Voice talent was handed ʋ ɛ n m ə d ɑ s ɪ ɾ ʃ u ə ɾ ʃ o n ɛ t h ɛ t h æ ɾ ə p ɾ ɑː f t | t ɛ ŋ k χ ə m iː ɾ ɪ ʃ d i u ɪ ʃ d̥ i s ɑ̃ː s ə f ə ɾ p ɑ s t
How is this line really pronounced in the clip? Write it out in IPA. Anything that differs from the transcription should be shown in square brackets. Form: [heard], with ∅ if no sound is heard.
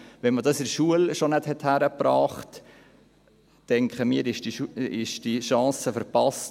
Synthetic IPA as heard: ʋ ɛ n m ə d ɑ s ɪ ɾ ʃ u ə [l] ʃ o n ɛ t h ɛ t h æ ɾ ə p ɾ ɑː [χ] t | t ɛ ŋ k χ ə m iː ɾ ɪ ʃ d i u ɪ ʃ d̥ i [ʃ] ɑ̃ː s ə f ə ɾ p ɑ s t

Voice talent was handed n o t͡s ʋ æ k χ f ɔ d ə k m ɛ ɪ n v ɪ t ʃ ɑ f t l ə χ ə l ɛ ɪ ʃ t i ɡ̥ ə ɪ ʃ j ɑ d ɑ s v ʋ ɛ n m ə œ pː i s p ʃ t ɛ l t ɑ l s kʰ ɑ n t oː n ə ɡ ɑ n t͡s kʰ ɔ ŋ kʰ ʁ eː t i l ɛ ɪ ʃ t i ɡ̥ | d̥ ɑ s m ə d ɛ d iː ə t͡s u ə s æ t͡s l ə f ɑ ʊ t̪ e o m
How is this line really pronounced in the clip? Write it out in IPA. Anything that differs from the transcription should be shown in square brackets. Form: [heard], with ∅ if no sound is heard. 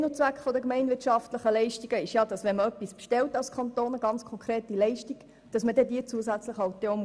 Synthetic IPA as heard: n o t͡s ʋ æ k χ f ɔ d ə k m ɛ ɪ n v ɪ t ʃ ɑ f t l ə χ ə l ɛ ɪ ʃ t i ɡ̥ ə ɪ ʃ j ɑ d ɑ s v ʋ ɛ n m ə œ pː i s p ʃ t ɛ l t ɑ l s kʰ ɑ n t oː n ə ɡ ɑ n t͡s kʰ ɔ ŋ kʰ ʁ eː t i l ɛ ɪ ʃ t i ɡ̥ | d̥ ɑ s m ə d ɛ d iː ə t͡s u ə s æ t͡s l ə [χ] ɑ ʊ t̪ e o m

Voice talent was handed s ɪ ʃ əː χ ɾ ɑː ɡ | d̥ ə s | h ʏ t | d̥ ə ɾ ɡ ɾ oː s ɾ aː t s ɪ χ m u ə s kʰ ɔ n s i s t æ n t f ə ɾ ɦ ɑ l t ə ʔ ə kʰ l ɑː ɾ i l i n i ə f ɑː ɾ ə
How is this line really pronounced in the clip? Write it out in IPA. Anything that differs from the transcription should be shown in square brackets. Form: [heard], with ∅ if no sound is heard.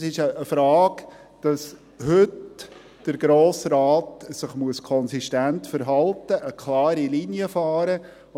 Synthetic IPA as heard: s ɪ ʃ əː [f] ɾ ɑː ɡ | d̥ [ɑ] s | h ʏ t | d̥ ə ɾ ɡ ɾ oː s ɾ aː t s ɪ χ m u ə s kʰ ɔ n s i [ʃ] t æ n t f ə ɾ ɦ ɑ l t ə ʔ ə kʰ l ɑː ɾ i l i n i ə f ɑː ɾ ə

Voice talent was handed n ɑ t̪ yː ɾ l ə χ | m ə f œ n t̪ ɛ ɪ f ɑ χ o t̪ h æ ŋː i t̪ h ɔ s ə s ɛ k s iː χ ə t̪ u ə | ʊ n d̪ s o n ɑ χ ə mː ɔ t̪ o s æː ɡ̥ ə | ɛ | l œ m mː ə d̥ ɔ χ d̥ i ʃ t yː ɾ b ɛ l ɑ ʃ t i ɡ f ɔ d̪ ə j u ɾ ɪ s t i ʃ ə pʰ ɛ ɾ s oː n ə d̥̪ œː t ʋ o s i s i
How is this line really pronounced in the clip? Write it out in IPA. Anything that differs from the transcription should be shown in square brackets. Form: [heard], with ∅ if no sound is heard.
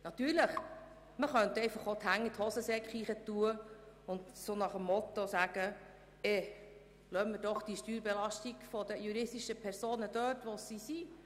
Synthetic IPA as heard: n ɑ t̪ yː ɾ l ə χ | m ə [χ] œ n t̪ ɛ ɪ f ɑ χ o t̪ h æ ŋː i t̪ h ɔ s ə s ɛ k [χ] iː χ ə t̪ u ə | ʊ n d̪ s o n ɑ χ ə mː ɔ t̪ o s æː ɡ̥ ə | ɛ | l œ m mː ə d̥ ɔ χ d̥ i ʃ t yː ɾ b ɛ l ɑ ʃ t i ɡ f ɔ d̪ ə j u ɾ ɪ s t i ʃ ə pʰ ɛ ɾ s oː n ə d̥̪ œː t ʋ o s i s i

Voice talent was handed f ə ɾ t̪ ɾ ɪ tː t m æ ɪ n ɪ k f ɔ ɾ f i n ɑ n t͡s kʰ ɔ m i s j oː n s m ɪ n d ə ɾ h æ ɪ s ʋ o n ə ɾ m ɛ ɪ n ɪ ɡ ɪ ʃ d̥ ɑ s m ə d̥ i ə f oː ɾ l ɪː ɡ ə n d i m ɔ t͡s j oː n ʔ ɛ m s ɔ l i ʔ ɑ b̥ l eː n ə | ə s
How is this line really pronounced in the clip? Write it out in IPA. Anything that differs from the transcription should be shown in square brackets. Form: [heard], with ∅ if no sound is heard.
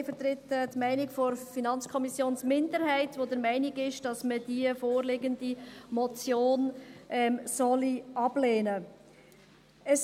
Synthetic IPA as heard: f ə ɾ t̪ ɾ ɪ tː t m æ ɪ n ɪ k f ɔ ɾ f i n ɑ n t͡s kʰ ɔ m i s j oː n s m ɪ n d ə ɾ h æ ɪ [t] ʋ o [d] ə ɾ m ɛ ɪ n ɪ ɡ ɪ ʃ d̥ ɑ s m ə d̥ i ə f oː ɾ l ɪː ɡ ə n d i m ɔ t͡s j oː n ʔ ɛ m s ɔ l i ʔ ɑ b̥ l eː n ə | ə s

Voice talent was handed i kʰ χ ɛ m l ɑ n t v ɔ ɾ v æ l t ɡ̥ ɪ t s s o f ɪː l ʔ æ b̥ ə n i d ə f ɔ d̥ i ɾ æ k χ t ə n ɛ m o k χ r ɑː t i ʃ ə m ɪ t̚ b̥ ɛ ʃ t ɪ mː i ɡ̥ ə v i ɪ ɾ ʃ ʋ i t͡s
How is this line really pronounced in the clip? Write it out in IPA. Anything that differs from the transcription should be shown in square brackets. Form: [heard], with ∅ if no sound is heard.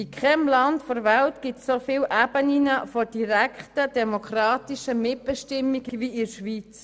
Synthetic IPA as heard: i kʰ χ ɛ m l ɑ n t [f] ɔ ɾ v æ l t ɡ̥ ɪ t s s o f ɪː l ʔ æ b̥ ə n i [n] ə f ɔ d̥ i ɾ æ k χ t ə [d] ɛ m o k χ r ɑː t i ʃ ə m ɪ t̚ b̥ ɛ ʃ t ɪ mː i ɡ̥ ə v i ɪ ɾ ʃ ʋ i t͡s

